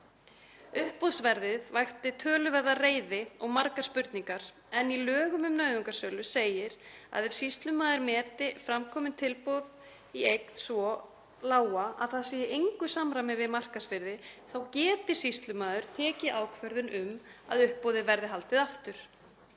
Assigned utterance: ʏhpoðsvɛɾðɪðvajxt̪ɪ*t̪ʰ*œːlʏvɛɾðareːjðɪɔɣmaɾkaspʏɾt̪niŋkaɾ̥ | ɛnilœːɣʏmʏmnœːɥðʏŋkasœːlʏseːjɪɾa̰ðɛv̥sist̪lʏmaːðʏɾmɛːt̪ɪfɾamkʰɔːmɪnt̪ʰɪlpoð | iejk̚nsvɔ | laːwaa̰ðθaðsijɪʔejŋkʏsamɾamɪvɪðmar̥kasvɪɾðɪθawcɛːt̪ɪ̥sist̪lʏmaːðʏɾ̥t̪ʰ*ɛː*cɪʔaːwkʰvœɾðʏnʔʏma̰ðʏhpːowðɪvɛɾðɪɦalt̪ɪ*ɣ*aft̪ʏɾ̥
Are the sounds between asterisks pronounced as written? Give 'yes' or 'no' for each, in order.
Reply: yes, yes, no

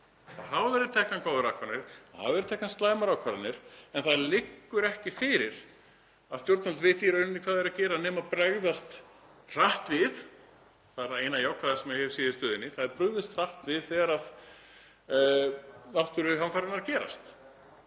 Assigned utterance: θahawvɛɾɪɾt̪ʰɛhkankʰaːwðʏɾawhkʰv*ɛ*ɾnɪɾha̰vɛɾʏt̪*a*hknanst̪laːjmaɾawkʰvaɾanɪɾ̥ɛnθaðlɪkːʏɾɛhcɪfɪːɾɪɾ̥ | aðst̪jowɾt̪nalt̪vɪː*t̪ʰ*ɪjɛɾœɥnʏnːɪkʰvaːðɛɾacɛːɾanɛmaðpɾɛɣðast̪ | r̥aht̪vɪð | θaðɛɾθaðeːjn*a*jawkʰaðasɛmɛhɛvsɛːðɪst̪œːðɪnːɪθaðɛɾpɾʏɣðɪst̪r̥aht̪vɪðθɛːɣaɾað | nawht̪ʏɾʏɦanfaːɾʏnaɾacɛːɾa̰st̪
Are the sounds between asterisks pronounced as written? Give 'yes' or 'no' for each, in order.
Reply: no, no, no, yes

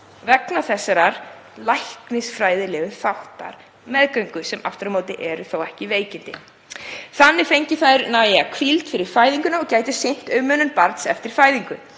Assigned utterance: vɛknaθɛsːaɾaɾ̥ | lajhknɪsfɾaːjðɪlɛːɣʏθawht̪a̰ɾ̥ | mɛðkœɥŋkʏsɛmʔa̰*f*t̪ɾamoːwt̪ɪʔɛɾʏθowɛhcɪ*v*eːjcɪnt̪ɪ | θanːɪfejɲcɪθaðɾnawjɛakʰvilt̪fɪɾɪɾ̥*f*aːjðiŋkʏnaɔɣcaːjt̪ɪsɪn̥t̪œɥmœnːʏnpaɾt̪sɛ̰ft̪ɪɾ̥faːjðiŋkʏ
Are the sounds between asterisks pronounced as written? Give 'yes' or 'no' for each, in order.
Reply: yes, yes, yes

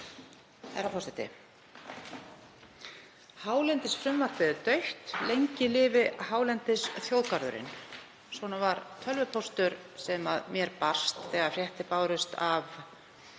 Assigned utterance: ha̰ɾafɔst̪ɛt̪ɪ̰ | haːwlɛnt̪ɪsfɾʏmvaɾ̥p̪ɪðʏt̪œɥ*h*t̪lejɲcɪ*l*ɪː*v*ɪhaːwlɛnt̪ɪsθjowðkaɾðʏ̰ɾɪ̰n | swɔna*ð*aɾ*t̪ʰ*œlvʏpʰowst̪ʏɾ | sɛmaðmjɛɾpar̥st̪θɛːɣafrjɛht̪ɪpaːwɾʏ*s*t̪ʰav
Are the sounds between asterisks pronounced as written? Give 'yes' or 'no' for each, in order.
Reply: yes, yes, yes, no, yes, yes

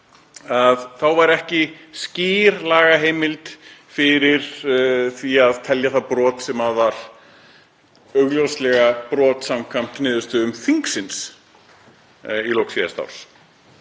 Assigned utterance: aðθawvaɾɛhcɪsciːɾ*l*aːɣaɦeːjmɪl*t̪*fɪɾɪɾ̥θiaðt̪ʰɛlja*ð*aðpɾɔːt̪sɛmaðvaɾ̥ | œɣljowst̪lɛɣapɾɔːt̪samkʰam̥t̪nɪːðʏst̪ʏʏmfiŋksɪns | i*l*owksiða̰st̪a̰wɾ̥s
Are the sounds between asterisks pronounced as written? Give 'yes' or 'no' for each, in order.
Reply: yes, yes, no, yes

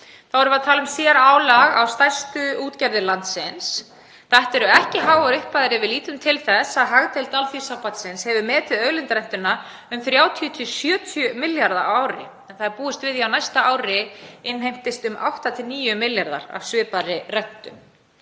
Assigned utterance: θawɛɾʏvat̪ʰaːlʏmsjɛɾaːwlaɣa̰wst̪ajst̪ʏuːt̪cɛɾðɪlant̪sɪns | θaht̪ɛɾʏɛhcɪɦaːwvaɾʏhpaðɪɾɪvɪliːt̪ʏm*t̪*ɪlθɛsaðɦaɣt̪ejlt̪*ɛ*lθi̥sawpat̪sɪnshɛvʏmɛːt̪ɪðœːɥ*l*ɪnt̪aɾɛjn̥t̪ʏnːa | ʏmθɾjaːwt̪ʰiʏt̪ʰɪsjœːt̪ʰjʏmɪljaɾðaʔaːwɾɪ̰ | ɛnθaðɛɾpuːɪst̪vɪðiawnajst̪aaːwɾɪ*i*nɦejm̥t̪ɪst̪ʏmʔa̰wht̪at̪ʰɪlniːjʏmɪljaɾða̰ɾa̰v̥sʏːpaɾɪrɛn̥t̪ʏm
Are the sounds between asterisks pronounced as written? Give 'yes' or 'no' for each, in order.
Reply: no, no, yes, no

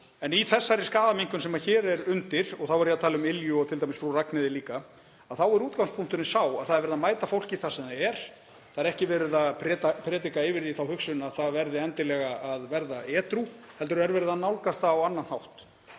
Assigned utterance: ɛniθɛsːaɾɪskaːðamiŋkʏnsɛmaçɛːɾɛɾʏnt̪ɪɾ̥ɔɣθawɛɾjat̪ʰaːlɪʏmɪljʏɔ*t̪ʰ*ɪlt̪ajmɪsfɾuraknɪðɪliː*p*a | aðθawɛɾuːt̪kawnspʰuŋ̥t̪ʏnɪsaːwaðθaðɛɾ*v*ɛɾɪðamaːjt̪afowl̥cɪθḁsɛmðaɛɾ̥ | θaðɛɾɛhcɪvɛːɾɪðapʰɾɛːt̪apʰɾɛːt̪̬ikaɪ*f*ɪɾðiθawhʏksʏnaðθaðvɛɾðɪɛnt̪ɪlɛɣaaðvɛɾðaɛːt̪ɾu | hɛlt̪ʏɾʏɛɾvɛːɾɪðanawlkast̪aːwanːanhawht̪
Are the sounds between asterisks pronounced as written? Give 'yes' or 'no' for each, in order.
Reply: yes, no, yes, no

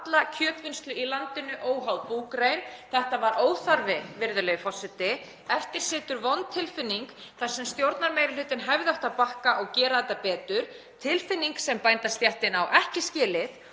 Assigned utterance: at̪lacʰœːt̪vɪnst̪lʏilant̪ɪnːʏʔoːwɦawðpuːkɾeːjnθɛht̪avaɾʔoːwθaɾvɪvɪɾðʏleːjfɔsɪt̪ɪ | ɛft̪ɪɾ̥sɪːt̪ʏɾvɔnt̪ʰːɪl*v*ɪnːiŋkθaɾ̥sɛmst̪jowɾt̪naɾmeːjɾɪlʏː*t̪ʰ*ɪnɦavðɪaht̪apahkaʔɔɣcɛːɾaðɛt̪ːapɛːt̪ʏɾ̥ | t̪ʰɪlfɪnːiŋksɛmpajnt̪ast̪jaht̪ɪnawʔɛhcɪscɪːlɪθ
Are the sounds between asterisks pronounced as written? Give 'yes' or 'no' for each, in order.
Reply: no, no

